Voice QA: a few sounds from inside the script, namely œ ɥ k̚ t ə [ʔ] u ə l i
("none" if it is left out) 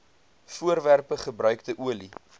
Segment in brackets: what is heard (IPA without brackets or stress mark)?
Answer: ʔ